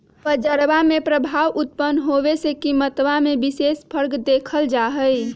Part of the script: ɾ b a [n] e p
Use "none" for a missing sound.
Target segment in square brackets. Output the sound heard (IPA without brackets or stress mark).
m